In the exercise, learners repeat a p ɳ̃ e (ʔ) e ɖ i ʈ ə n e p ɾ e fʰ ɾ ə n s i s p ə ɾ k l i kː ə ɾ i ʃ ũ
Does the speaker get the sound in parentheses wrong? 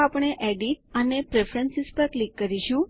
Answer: no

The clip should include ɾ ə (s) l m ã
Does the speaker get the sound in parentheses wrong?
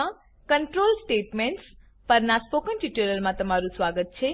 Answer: yes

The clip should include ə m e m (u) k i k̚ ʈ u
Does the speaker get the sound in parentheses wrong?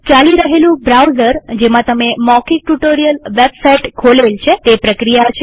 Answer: yes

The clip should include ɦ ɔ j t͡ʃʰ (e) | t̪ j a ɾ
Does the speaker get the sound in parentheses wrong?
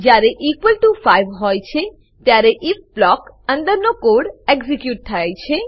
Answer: no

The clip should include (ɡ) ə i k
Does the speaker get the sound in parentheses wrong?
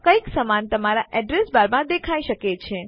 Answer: yes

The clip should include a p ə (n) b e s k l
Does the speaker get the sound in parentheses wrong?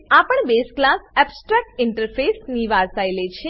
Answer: yes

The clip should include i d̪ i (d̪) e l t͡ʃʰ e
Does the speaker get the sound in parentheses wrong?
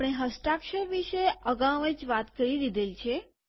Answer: no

